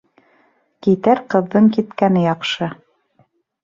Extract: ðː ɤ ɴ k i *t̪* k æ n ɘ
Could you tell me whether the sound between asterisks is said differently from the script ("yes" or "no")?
no